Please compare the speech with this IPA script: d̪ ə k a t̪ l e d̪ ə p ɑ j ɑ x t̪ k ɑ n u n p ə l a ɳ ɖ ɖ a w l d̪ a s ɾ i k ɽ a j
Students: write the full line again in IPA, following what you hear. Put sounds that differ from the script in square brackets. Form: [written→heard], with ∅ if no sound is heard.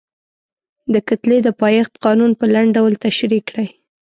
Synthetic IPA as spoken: d̪ ə k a t̪ l e d̪ ə p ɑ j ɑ x t̪ [k→q] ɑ n u n p ə l a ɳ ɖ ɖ a w l [d̪→t̪] a [s→ʃ] ɾ i k ɽ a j